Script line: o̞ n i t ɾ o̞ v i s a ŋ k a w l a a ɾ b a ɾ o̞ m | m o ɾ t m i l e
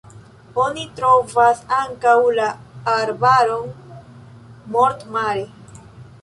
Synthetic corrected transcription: o̞ n i t ɾ o̞ v a s a ŋ k a w l a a ɾ b a ɾ o̞ n | m o ɾ t m a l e